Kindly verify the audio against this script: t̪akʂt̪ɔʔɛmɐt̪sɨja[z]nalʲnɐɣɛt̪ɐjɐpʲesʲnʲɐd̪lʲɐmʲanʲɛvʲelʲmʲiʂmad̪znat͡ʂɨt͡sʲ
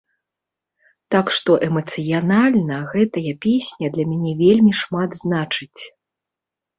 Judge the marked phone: incorrect: none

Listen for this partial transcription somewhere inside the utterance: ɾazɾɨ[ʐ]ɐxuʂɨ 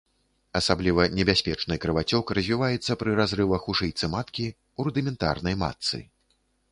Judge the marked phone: incorrect: v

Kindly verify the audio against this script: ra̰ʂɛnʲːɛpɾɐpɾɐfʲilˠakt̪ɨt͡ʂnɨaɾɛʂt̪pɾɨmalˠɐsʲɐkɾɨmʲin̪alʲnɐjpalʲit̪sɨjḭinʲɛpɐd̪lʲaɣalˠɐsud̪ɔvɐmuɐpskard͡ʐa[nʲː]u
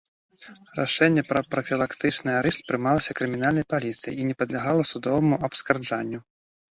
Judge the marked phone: correct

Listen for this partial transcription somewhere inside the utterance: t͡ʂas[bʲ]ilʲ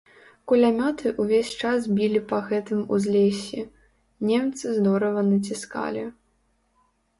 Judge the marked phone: correct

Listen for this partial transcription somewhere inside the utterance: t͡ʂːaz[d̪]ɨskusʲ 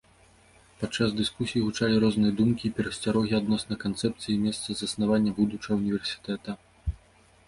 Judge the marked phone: correct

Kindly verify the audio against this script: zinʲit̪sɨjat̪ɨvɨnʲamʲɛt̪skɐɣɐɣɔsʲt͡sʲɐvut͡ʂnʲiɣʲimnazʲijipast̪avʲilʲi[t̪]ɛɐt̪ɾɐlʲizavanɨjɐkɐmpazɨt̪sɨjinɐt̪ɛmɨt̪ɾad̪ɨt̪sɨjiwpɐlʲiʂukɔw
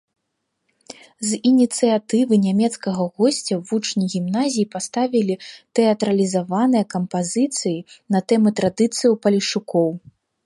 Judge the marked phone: correct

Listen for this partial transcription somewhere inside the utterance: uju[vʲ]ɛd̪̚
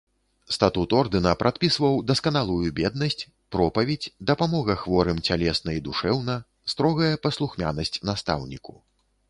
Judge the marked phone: incorrect: bʲ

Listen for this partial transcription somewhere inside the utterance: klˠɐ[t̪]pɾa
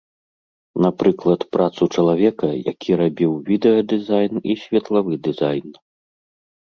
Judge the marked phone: correct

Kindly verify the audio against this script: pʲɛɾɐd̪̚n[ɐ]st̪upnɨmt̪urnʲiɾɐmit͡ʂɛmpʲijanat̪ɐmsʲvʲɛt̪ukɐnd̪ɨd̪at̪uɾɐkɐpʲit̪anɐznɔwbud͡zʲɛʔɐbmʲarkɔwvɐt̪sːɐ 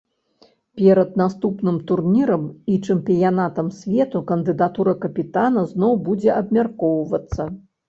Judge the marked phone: incorrect: a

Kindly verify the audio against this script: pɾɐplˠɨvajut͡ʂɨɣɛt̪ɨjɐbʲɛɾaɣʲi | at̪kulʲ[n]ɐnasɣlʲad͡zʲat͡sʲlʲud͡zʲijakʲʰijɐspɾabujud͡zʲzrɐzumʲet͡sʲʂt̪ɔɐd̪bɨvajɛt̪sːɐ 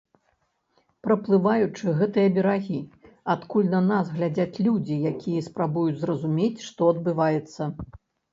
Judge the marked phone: correct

